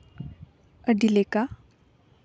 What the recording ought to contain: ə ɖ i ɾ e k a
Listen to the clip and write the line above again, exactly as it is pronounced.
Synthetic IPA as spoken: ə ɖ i l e k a